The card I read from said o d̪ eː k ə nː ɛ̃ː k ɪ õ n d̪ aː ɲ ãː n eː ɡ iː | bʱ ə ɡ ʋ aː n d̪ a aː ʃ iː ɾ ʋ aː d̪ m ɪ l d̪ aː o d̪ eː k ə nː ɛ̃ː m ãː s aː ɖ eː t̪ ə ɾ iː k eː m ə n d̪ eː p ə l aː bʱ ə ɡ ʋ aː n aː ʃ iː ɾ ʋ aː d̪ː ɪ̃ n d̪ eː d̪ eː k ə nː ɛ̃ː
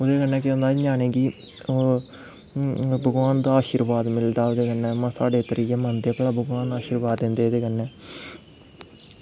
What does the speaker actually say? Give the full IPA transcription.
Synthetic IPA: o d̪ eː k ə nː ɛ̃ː k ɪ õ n d̪ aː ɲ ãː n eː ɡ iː | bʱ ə ɡ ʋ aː n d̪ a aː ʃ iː ɾ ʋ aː d̪ m ɪ l d̪ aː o d̪ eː k ə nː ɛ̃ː m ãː s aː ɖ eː t̪ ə ɾ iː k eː m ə n d̪ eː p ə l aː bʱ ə ɡ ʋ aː n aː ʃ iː ɾ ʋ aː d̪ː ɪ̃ n d̪ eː d̪ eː k ə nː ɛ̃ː